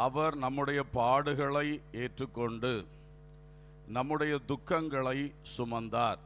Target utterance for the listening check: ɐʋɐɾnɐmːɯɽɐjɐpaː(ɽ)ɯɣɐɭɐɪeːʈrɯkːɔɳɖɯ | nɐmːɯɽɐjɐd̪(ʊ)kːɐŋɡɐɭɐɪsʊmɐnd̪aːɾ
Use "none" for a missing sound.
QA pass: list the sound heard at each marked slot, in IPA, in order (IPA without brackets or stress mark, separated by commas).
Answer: ɽ, ʊ